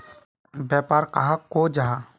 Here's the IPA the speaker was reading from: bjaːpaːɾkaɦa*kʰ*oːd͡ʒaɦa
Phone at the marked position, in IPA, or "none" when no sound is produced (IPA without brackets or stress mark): k